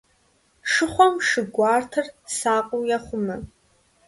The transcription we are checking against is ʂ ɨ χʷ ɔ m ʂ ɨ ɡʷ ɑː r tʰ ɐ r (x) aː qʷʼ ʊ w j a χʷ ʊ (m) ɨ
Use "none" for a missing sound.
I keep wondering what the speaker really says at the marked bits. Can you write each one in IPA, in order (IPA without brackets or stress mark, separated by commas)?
s, m